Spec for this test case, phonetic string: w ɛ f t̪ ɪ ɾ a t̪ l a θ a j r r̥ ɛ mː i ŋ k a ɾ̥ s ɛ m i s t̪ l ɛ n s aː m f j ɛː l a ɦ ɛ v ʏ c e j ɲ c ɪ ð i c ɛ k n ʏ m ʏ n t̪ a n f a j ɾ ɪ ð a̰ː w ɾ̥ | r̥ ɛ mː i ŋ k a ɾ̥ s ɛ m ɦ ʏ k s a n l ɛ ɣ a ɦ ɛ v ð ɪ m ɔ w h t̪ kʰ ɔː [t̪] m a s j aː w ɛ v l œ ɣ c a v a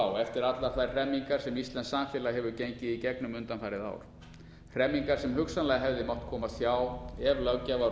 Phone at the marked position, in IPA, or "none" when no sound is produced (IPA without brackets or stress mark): none